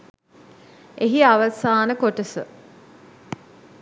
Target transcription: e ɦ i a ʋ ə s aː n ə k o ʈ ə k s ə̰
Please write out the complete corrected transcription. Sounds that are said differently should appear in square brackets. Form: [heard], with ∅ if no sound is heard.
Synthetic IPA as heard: e ɦ i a ʋ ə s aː n ə k o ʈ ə [∅] s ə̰